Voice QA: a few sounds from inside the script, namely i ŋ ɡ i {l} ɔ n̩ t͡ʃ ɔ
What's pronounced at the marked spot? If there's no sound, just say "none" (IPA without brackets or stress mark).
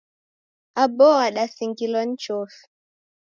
l